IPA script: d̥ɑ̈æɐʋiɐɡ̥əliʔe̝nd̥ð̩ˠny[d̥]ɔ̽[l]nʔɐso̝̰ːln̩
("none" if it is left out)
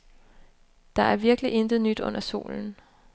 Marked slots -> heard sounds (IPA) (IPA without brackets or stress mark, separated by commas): d̥, none